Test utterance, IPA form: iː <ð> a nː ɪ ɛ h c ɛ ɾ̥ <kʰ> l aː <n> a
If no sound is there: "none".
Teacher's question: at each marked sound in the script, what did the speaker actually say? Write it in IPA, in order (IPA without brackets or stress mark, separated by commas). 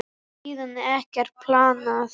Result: ð, pʰ, n